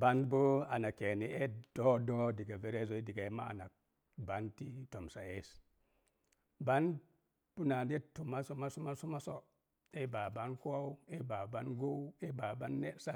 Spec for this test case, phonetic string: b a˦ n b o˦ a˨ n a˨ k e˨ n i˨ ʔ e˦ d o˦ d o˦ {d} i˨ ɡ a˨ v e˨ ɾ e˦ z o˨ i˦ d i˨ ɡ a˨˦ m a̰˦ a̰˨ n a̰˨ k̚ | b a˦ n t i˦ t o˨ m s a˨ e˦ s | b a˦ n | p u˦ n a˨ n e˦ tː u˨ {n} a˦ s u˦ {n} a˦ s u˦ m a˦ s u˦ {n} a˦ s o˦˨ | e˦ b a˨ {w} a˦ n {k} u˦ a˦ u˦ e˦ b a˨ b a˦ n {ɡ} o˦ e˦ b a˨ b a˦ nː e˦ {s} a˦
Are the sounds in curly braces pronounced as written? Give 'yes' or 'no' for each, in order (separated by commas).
yes, no, no, no, no, yes, yes, yes